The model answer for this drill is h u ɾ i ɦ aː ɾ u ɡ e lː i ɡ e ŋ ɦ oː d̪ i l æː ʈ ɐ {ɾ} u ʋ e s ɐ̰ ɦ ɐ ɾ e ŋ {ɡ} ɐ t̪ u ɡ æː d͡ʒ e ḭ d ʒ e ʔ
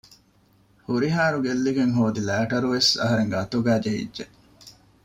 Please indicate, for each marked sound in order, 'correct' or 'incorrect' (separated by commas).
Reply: correct, correct